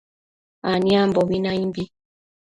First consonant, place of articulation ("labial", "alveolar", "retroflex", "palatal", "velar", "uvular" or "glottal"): alveolar